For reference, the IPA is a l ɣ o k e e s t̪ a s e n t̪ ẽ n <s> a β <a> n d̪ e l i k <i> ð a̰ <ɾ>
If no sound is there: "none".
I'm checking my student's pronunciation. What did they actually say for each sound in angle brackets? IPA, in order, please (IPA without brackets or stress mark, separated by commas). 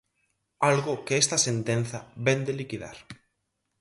θ, e, i, ɾ